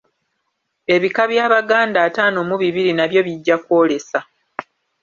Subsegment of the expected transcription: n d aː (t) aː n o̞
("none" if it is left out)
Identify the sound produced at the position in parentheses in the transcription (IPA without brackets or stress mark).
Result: t